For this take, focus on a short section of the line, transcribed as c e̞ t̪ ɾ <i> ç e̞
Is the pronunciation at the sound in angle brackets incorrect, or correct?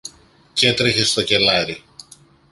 incorrect